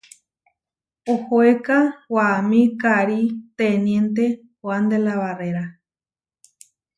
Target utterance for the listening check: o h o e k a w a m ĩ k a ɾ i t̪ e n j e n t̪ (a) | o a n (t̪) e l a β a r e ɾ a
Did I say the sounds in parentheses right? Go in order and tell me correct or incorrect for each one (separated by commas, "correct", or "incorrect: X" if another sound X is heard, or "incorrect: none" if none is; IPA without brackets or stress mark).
incorrect: e, incorrect: d̪